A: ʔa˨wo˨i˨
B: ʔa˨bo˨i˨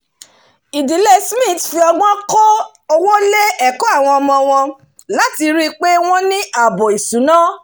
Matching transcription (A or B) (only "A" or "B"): B